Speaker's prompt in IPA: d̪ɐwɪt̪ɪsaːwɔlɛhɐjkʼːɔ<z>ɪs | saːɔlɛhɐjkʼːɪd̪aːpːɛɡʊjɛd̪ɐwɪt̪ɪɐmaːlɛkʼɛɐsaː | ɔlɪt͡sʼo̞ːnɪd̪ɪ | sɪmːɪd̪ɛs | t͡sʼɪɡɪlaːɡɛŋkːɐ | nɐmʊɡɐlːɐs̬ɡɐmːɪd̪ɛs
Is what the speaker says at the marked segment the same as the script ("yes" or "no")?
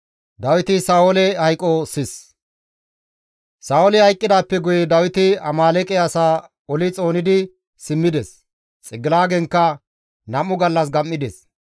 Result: no